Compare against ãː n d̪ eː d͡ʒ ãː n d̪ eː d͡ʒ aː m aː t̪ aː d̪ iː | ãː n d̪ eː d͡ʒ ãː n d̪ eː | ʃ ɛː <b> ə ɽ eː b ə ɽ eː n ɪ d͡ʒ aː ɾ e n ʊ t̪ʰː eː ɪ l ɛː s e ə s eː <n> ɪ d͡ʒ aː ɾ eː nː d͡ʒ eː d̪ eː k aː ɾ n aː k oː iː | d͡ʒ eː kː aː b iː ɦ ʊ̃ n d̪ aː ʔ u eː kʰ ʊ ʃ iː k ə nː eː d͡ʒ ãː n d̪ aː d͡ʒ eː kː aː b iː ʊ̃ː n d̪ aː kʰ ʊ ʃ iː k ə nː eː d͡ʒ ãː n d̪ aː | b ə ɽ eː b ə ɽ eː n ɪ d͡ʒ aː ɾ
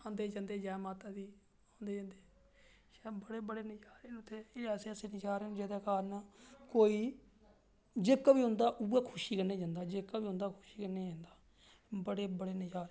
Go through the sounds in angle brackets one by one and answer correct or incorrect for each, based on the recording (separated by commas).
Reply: correct, correct